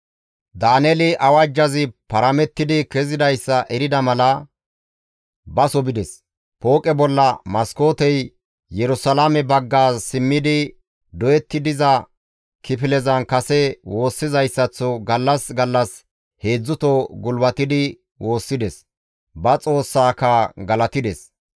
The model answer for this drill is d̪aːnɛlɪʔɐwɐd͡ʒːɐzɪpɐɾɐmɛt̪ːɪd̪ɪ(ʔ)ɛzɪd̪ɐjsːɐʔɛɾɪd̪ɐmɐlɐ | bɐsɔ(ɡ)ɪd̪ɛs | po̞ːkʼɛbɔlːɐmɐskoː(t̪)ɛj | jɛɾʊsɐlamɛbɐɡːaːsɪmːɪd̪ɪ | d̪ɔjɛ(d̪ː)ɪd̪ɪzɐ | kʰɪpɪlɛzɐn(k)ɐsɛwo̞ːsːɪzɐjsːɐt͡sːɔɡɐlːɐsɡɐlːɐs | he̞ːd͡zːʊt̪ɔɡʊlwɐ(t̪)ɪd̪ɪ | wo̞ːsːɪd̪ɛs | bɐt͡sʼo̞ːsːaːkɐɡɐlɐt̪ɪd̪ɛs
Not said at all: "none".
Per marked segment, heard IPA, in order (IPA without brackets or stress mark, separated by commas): k, b, t̪, t̪ː, k, t̪